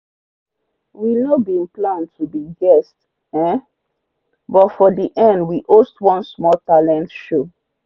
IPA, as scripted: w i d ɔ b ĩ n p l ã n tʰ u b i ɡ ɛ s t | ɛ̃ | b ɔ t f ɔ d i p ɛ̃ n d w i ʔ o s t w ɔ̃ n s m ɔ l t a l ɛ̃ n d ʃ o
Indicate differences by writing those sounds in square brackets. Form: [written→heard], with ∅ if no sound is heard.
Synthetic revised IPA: w i [d→n] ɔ b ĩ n p l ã n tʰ u b i ɡ ɛ s t | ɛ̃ | b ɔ t f ɔ d i [p→ʔ] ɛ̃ n d w i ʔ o s t w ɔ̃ n s m ɔ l t a l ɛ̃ n [d→t] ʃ o